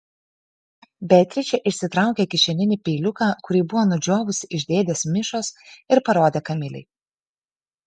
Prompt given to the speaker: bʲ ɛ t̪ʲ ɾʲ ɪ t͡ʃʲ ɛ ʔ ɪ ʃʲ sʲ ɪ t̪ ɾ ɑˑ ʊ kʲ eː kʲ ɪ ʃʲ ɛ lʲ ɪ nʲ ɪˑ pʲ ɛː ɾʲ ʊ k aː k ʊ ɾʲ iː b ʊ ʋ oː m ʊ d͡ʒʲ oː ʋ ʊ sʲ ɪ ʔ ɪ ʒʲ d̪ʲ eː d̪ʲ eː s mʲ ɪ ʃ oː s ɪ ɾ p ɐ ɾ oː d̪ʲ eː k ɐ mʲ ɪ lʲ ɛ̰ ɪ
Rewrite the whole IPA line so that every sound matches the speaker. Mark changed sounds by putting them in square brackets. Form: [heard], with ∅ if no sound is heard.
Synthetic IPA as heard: bʲ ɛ t̪ʲ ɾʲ ɪ t͡ʃʲ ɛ ʔ ɪ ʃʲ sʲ ɪ t̪ ɾ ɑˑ ʊ kʲ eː kʲ ɪ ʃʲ ɛ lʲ ɪ nʲ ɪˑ pʲ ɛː [lʲ] ʊ k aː k ʊ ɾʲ iː b ʊ ʋ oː [n] ʊ d͡ʒʲ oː ʋ ʊ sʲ ɪ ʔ ɪ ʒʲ d̪ʲ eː d̪ʲ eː s mʲ ɪ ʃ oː s ɪ ɾ p ɐ ɾ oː d̪ʲ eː k ɐ mʲ ɪ lʲ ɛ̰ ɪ